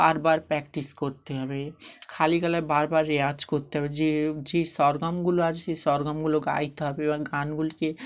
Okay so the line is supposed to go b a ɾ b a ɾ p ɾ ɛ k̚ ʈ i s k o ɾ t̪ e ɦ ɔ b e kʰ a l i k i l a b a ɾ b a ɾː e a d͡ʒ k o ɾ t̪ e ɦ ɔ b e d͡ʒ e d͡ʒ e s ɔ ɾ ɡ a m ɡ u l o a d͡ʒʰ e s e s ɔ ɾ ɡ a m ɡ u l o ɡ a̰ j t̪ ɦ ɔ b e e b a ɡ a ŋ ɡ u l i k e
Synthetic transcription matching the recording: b a ɾ b a ɾ p ɾ ɛ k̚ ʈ i s k o ɾ t̪ e ɦ ɔ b e kʰ a l i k a l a b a ɾ b a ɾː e a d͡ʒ k o ɾ t̪ e ɦ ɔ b e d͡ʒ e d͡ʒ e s ɔ ɾ ɡ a m ɡ u l o a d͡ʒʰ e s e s ɔ ɾ ɡ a m ɡ u l o ɡ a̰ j t̪ ɦ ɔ b e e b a ɡ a n ɡ u l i k e